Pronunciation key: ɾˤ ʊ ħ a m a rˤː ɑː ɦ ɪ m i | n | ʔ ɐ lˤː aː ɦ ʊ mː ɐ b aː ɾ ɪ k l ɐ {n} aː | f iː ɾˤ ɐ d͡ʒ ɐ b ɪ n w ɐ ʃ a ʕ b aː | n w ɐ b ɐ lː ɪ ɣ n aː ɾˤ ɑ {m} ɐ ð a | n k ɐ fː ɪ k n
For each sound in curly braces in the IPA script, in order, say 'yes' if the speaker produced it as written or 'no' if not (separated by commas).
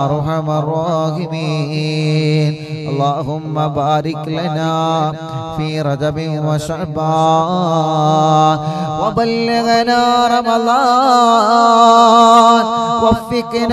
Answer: yes, yes